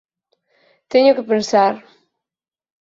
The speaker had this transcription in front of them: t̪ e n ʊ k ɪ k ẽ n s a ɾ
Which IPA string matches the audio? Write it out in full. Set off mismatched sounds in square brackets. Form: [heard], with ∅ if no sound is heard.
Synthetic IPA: t̪ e [ɲ] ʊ k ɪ [p] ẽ n s a ɾ